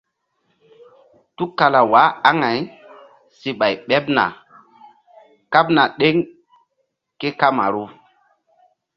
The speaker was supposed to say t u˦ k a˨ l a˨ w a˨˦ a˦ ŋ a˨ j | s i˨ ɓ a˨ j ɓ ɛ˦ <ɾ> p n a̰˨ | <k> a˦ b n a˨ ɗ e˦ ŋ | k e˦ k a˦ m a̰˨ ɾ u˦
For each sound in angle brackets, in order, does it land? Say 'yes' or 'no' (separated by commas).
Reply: no, yes